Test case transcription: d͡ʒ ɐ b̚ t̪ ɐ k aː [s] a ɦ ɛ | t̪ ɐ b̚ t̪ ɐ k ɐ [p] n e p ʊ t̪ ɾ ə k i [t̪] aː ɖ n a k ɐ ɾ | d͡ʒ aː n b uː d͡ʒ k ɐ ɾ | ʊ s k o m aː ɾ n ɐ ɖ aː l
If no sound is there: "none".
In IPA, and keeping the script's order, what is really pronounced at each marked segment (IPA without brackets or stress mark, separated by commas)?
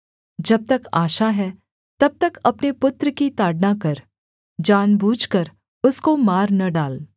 ʃ, p, t̪